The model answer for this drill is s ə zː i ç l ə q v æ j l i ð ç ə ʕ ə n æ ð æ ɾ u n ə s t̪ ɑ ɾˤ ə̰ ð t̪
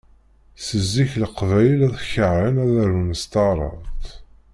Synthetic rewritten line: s ə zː i ç l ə q v æ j l æ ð ç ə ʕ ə n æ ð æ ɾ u n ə s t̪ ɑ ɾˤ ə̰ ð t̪

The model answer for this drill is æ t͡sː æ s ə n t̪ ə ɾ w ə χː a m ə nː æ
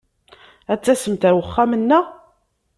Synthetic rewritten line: æ t͡sː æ s ə m t̪ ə ɾ w ə χː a m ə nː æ

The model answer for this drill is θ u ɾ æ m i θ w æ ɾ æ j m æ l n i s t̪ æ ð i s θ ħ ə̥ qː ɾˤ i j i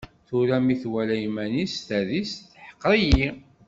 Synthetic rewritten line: θ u ɾ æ m i θ w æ l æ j m æ n i s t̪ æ ð i s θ ħ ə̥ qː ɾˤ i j i

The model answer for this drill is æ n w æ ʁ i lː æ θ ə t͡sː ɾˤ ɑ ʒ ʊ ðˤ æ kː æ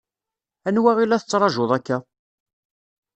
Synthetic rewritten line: æ n w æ ʁ i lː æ θ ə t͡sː ɾˤ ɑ ʒ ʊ ðˤ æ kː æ

